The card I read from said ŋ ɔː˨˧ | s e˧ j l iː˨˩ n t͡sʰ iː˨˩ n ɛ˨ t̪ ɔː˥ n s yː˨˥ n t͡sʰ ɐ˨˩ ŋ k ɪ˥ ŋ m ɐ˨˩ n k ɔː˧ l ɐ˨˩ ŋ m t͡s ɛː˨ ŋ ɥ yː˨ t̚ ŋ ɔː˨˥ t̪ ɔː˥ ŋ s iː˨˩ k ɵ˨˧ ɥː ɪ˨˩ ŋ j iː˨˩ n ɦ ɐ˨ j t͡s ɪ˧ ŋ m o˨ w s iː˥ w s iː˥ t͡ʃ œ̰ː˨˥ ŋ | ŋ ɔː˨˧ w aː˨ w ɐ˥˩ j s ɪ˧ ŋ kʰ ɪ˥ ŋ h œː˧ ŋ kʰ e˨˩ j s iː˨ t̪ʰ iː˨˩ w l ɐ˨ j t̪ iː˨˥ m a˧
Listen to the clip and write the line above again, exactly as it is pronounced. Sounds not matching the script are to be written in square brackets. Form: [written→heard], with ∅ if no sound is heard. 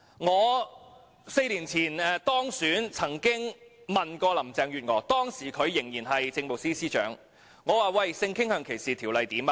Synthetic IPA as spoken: ŋ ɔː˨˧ | s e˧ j l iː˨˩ n t͡sʰ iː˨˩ n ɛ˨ t̪ ɔː˥ [n→ŋ] s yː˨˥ n t͡sʰ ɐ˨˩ ŋ k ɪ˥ ŋ m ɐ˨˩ n k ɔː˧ l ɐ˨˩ [ŋ→∅] m t͡s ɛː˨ ŋ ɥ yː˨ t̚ ŋ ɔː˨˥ t̪ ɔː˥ ŋ s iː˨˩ [k→kʰ] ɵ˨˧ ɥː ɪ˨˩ ŋ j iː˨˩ n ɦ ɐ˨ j t͡s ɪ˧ ŋ m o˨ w s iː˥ [w→∅] s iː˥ t͡ʃ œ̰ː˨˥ ŋ | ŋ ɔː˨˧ w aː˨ w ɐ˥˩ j s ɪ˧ ŋ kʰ ɪ˥ ŋ h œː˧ ŋ kʰ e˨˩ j s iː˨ t̪ʰ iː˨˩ w l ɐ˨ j t̪ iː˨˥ m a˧